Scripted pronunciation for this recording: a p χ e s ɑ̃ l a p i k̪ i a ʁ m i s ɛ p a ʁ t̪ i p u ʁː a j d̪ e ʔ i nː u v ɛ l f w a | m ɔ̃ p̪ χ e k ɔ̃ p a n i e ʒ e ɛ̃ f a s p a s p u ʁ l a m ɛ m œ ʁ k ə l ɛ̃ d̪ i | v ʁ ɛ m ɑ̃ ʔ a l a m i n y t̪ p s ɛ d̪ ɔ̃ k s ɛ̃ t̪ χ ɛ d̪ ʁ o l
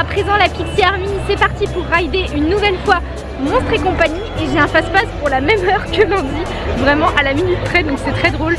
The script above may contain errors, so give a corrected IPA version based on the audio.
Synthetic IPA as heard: a p χ e z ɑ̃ l a p i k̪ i a ʁ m i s ɛ p a ʁ t̪ i p u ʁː a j d̪ e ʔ y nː u v ɛ l f w a | m ɔ̃ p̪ χ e k ɔ̃ p a ɲ i e ʒ e ɛ̃ f a s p a s p u ʁ l a m ɛ m œ ʁ k ə l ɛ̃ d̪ i | v ʁ ɛ m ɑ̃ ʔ a l a m i n y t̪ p χ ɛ d̪ ɔ̃ k s ɛ t̪ χ ɛ d̪ ʁ o l